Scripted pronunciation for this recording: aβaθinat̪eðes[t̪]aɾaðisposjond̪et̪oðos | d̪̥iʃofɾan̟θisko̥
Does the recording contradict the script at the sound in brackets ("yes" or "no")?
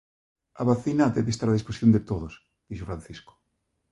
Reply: no